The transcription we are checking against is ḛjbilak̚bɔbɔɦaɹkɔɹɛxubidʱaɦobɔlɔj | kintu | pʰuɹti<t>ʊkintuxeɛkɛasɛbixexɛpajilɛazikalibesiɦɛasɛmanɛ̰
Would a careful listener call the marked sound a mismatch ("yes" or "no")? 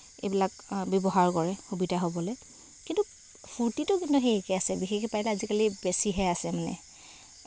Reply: no